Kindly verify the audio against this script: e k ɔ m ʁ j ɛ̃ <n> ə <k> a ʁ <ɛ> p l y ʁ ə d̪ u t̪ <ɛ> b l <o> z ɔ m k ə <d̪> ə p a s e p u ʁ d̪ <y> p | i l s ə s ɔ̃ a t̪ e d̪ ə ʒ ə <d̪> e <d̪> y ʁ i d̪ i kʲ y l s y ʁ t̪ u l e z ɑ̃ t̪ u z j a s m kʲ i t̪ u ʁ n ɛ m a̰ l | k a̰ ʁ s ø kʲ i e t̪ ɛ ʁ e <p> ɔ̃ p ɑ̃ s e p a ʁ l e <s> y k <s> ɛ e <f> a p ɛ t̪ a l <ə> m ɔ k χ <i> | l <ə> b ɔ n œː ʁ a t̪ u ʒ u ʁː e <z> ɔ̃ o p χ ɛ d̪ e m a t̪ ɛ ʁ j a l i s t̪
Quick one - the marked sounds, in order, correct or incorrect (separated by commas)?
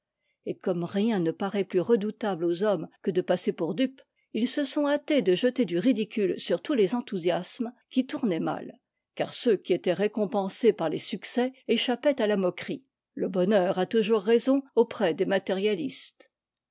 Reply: correct, incorrect, correct, incorrect, correct, correct, correct, incorrect, correct, incorrect, correct, correct, incorrect, incorrect, correct, correct, correct